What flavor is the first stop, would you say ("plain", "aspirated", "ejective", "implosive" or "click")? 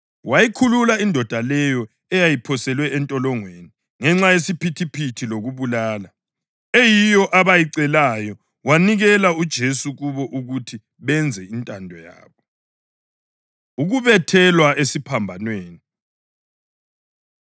aspirated